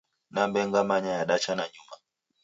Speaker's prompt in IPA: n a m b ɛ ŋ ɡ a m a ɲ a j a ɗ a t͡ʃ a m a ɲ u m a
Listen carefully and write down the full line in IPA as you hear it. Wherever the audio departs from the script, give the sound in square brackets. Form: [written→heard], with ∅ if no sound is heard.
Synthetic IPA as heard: n a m b ɛ ŋ ɡ a m a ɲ a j a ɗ a t͡ʃ a [m→n] a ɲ u m a